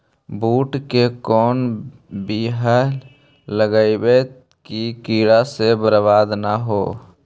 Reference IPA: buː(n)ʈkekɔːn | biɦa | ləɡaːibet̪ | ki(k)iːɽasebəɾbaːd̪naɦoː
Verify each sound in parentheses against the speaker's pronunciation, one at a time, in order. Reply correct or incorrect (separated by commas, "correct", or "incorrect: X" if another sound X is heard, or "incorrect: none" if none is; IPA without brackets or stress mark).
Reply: incorrect: none, correct